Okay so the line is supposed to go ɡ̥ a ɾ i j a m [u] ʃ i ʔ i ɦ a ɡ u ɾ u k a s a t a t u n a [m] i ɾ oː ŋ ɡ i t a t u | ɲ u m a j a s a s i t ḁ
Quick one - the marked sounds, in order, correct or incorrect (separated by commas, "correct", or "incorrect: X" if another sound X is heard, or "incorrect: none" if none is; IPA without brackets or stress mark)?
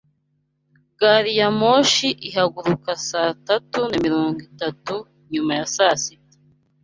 incorrect: o, correct